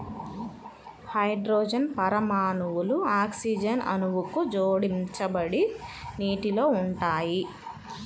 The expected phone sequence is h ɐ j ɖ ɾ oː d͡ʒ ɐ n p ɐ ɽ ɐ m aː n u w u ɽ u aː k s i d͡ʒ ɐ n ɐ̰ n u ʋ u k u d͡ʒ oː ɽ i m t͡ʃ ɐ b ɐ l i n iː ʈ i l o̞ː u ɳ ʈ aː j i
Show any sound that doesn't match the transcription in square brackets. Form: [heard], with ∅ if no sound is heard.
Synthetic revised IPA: h ɐ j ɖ ɾ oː d͡ʒ ɐ n p ɐ [ɾ] ɐ m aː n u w u [l] u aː k s i d͡ʒ ɐ n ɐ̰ n u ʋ u k u d͡ʒ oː ɽ i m t͡ʃ ɐ b ɐ [ɽ] i n iː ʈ i l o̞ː u ɳ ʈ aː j i